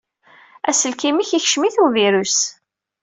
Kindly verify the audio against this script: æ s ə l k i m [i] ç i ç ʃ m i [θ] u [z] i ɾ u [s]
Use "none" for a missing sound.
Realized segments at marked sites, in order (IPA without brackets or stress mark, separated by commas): i, θ, v, s